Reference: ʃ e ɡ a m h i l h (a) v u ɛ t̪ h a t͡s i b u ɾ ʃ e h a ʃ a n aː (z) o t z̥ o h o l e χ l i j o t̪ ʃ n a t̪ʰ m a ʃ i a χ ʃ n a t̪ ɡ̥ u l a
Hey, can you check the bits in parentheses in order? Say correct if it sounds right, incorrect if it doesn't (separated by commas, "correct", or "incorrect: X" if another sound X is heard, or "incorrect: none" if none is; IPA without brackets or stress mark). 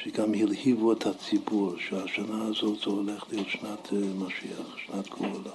incorrect: i, correct